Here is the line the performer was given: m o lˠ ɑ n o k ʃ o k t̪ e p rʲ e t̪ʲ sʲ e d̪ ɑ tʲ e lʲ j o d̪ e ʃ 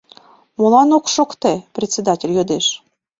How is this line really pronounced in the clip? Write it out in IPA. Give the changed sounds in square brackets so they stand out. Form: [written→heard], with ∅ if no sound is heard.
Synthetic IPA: m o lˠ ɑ n o k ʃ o k t̪ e p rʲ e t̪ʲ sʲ e d̪ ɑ tʲ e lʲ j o d̪ e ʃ